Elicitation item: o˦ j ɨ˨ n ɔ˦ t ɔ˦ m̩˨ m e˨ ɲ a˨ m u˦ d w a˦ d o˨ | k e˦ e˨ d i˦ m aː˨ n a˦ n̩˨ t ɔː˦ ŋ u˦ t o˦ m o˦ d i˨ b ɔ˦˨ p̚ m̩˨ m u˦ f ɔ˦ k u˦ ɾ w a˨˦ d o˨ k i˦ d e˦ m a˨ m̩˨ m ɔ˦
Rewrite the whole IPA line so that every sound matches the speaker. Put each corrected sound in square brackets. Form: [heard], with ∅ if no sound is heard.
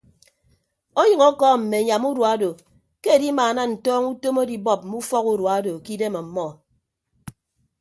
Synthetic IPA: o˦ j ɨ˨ [ŋ] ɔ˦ [k] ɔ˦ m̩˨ m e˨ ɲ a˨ m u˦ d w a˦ d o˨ | k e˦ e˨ d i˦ m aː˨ n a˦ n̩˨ t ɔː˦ ŋ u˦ t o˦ m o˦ d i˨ b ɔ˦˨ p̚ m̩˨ m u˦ f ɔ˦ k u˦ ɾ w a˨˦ d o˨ k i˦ d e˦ m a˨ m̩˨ m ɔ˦